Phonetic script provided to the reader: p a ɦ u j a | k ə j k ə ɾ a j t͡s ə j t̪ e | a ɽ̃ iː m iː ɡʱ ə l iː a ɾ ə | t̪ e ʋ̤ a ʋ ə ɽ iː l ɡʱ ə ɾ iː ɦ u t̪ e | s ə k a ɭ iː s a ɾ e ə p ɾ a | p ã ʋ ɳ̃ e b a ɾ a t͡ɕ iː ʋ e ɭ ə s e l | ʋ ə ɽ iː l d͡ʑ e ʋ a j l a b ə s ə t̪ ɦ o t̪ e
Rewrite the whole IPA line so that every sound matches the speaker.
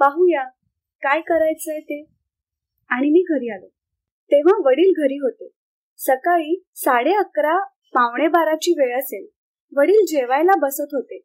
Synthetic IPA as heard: p a ɦ u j a | k a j k ə ɾ a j t͡s ə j t̪ e | a ɽ̃ i m iː ɡʱ ə ɾ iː a l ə | t̪ e ʋ̤ a ʋ ə ɽ iː l ɡʱ ə ɾ iː ɦ o t̪ e | s ə k a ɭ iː s a ɽ e ə k ɾ a | p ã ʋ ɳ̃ e b a ɾ a t͡ɕ iː ʋ e ɭ ə s e l | ʋ ə ɽ iː l d͡ʑ e ʋ a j l a b ə s ə t̪ ɦ o t̪ e